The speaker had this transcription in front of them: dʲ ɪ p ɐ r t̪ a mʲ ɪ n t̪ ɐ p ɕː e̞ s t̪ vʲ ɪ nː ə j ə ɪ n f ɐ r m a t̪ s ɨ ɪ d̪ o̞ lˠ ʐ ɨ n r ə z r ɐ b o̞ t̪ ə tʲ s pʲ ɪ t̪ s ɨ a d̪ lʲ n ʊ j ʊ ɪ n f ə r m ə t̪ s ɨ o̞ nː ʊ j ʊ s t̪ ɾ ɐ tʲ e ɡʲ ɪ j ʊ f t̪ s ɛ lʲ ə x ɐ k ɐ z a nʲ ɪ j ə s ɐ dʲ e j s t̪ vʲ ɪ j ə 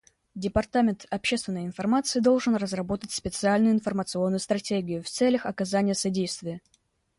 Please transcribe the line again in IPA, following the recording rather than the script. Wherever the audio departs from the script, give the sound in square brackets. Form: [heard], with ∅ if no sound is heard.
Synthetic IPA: dʲ ɪ p ɐ r t̪ a mʲ ɪ n t̪ ɐ p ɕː e̞ s t̪ vʲ ɪ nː ə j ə ɪ n f ɐ r m a t̪ s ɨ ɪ d̪ o̞ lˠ ʐ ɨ n r ə z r ɐ b o̞ t̪ ə tʲ s pʲ ɪ t̪ s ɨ a [∅] lʲ n ʊ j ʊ ɪ n f ə r m ə t̪ s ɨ o̞ nː ʊ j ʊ s t̪ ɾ ɐ tʲ e ɡʲ ɪ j ʊ f t̪ s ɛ lʲ ə x ɐ k ɐ z a nʲ ɪ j ə s ɐ dʲ e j s t̪ vʲ ɪ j ə